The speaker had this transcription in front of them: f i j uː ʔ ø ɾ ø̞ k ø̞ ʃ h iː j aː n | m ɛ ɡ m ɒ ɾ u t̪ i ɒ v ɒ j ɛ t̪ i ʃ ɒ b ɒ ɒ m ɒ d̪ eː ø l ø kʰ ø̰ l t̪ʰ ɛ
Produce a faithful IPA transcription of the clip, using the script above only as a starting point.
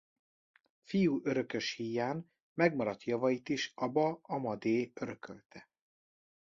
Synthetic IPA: f i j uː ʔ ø ɾ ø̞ k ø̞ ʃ h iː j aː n | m ɛ ɡ m ɒ ɾ ɒ t̪ j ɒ v ɒ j i t̪ i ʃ ɒ b ɒ ɒ m ɒ d̪ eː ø ɾ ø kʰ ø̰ l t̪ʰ ɛ